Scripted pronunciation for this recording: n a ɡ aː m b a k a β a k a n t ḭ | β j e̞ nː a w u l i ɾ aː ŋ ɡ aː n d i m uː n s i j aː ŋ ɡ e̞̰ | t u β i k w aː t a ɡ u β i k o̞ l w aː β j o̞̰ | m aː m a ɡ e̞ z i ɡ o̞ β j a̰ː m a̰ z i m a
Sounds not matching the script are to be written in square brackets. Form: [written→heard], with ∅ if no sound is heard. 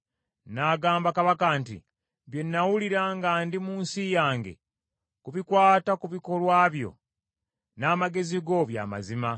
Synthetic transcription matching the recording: n a ɡ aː m b a k a β a k a n t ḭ | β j e̞ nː a w u l i ɾ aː ŋ ɡ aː n d i m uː n s i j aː ŋ ɡ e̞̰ | [t→k] u β i k w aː t a [ɡ→k] u β i k o̞ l w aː β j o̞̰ | [m→n] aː m a ɡ e̞ z i ɡ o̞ β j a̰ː m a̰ z i m a